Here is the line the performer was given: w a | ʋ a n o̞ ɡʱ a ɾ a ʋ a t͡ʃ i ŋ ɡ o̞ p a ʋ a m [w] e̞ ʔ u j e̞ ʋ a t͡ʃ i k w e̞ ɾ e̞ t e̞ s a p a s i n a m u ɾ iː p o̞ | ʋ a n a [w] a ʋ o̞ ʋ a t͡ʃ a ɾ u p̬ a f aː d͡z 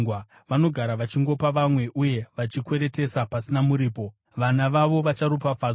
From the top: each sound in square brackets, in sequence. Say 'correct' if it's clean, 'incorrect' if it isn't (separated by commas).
correct, incorrect